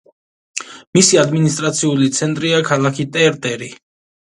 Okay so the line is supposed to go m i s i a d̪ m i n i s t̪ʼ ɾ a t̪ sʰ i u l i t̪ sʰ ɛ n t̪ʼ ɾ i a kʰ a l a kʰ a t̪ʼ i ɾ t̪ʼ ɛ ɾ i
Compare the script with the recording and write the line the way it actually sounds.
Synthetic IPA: m i s i a d̪ m i n i s t̪ʼ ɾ a t̪ sʰ i u l i t̪ sʰ ɛ n t̪ʼ ɾ i a kʰ a l a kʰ i t̪ʼ ɛ ɾ t̪ʼ ɛ ɾ i